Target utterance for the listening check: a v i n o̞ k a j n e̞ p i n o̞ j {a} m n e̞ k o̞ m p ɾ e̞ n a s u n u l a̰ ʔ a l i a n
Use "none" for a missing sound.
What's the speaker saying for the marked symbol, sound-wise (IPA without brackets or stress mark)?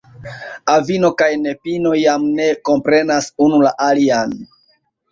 a